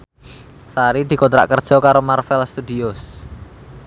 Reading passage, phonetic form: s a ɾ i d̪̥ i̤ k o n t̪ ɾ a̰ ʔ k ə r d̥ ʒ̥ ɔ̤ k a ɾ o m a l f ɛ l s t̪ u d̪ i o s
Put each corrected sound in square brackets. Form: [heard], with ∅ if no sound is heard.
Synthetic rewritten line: s a ɾ i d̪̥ i̤ k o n t̪ ɾ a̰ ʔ k ə r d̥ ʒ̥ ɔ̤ k a ɾ o m a [r] f ɛ l s t̪ u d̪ i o s